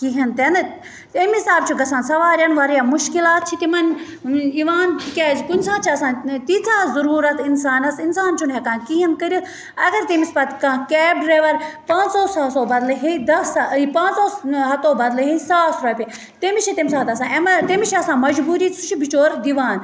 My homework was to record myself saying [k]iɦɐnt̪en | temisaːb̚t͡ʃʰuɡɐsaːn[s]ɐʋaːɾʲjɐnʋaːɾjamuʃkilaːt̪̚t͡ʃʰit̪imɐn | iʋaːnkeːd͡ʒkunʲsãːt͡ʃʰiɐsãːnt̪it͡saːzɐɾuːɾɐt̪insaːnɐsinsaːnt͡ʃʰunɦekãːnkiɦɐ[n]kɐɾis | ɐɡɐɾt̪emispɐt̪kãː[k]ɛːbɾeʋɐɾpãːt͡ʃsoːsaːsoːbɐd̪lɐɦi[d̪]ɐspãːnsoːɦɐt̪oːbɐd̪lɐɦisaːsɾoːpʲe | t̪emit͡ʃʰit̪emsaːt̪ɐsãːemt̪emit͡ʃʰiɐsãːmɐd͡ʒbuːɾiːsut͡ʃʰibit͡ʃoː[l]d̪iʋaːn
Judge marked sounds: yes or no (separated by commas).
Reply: yes, yes, yes, yes, yes, no